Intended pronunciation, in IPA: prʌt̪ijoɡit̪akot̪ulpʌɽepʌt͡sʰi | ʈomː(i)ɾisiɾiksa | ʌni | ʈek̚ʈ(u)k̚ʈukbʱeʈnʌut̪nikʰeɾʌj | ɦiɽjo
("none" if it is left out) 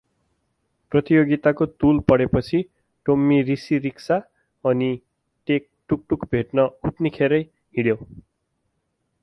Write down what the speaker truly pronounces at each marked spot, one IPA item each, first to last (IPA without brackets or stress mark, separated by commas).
i, u